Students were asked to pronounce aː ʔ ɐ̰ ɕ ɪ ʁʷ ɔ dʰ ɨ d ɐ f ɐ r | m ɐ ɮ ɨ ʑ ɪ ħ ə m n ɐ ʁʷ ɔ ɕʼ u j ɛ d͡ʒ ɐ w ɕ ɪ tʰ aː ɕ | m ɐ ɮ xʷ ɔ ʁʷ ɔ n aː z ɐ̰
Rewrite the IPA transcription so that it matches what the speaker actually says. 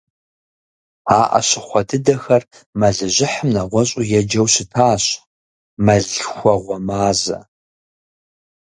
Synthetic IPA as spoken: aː ʔ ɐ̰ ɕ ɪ χʷ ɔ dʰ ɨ d ɐ x ɐ r | m ɐ ɮ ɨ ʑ ɪ ħ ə m n ɐ ʁʷ ɔ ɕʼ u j ɛ d͡ʒ ɐ w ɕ ɪ tʰ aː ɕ | m ɐ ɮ xʷ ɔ ʁʷ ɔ m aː z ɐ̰